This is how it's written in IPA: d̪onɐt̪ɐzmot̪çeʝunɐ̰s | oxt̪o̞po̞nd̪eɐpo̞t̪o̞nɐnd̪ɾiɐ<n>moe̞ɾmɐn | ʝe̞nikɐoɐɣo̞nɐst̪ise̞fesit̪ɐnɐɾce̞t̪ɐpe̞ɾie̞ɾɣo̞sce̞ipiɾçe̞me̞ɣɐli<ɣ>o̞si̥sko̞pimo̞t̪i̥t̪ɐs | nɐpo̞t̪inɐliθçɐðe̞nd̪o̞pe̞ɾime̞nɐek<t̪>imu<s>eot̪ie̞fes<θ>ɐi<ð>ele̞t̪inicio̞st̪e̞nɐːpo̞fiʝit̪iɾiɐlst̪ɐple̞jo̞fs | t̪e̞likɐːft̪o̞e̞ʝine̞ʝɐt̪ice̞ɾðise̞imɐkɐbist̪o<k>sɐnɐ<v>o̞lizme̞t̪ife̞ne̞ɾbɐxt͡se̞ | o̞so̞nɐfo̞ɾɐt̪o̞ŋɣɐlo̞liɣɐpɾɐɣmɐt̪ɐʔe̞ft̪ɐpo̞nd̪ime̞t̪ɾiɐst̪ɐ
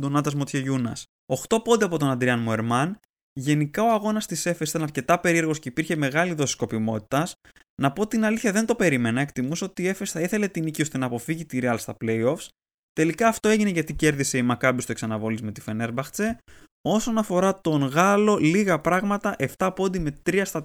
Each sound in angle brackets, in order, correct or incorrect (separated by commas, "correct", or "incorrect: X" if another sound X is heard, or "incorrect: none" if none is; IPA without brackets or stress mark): correct, incorrect: ð, correct, correct, correct, incorrect: θ, correct, correct